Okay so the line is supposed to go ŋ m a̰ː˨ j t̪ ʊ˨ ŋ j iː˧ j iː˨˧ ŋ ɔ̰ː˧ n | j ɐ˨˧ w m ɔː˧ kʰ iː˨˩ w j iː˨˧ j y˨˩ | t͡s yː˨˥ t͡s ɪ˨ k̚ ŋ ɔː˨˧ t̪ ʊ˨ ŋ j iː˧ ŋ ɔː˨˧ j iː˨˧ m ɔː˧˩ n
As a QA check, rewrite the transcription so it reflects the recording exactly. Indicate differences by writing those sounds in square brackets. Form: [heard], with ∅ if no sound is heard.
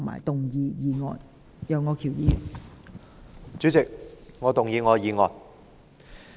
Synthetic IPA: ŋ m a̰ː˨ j t̪ ʊ˨ ŋ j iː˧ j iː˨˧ ŋ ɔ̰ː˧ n | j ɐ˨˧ w [ŋ] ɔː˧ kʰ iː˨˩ w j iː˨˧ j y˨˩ | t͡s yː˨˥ t͡s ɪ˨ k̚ ŋ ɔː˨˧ t̪ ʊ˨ ŋ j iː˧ ŋ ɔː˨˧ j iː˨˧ [ŋ] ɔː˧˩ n

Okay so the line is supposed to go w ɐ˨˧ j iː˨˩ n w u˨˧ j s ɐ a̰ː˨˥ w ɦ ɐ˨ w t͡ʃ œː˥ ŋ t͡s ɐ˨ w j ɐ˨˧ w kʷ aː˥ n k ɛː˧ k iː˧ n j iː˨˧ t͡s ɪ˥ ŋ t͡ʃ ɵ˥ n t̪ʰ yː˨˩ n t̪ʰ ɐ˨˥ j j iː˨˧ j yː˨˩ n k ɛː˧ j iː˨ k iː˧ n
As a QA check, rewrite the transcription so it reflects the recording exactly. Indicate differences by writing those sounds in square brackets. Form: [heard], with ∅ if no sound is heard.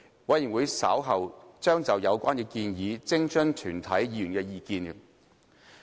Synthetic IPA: w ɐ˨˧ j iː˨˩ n w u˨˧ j s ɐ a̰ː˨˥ w ɦ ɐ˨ w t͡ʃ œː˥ ŋ t͡s ɐ˨ w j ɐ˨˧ w kʷ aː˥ n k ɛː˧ k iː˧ n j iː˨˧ t͡s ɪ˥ ŋ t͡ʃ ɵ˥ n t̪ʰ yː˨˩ n t̪ʰ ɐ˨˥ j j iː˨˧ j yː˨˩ n k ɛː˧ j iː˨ k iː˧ n

